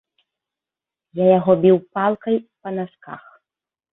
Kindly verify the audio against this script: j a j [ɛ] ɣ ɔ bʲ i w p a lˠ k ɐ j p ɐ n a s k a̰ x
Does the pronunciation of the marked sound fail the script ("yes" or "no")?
yes